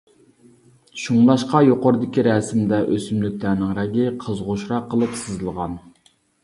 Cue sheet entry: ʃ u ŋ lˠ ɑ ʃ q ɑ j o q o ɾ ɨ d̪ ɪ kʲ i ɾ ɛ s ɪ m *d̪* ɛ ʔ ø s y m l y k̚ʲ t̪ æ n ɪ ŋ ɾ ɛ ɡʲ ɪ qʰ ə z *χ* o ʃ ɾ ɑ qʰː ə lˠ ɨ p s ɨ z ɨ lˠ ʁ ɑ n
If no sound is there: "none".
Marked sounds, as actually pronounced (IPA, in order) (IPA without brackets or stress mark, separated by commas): d̪, ʁ